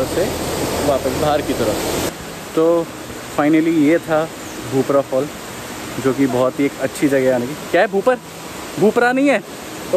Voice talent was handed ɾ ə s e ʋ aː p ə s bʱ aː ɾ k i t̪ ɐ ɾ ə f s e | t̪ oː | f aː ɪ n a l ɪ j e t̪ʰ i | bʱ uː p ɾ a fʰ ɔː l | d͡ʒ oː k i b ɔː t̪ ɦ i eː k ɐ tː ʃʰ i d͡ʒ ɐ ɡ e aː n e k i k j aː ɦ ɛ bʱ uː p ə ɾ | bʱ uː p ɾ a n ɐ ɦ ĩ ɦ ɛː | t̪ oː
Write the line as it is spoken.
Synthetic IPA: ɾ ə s e ʋ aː p ə s bʱ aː ɾ k i t̪ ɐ ɾ ə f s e | t̪ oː | f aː ɪ n ə l i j e t̪ʰ a | bʱ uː p ɾ a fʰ ɔː l | d͡ʒ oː k i b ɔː t̪ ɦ i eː k ɐ tː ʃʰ i d͡ʒ ɐ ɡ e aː n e k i k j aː ɦ ɛ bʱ uː p ə ɾ | bʱ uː p ɾ a n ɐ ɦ ĩ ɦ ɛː | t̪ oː

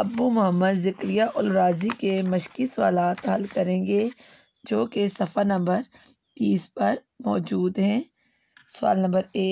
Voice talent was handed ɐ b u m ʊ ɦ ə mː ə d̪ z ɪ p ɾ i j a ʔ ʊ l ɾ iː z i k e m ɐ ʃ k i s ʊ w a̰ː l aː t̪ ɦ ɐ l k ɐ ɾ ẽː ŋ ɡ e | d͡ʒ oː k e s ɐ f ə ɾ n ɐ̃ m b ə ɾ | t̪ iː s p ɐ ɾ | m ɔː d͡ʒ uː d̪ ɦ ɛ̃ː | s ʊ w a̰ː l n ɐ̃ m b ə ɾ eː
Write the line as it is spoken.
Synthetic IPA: ɐ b u m ʊ ɦ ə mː ə d̪ z ɪ k ɾ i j a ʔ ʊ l ɾ aː z i k e m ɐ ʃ k i s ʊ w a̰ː l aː t̪ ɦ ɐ l k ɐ ɾ ẽː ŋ ɡ e | d͡ʒ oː k e s ɐ f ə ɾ n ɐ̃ m b ə ɾ | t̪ iː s p ɐ ɾ | m ɔː d͡ʒ uː d̪ ɦ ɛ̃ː | s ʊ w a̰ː l n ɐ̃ m b ə ɾ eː

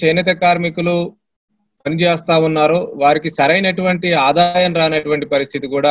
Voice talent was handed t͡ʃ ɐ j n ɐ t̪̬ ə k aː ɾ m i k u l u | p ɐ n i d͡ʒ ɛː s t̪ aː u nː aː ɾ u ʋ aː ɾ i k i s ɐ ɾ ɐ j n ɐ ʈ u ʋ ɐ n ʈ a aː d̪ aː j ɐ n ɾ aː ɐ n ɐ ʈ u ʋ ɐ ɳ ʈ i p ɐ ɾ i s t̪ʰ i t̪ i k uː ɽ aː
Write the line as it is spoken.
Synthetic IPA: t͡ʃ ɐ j n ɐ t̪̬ ɐ k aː ɾ m i k u l u | p ɐ n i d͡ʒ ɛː s t̪ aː u nː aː ɾ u ʋ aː ɾ i k i s ɐ ɾ ɐ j n ɐ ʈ u ʋ ɐ ɳ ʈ i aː d̪ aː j ɐ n ɾ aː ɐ n ɐ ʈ u ʋ ɐ ɳ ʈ i p ɐ ɾ i s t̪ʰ i t̪ i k uː ɽ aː

